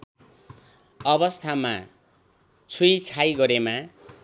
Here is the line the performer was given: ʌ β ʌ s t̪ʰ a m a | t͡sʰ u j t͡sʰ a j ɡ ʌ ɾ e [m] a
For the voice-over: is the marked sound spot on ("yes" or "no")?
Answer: yes